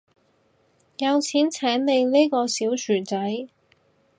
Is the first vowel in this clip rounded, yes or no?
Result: no